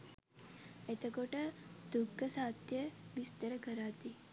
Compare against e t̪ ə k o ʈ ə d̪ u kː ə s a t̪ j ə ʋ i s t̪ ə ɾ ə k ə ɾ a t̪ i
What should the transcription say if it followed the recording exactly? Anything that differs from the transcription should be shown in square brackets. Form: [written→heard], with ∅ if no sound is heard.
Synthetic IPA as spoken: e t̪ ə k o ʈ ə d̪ u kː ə s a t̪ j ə ʋ i s t̪ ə ɾ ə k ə ɾ a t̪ i